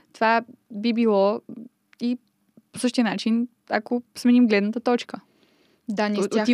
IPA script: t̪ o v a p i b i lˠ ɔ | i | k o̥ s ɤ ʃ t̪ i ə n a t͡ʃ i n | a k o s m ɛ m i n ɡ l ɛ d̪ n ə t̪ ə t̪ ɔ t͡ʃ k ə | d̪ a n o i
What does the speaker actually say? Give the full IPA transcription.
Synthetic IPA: t̪ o v a b i b i lˠ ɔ | i | p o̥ s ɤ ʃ t̪ i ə n a t͡ʃ i n | a k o s m ɛ n i m ɡ l ɛ d̪ n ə t̪ ə t̪ ɔ t͡ʃ k ə | d̪ a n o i